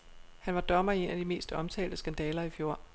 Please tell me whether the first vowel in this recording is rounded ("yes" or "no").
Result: no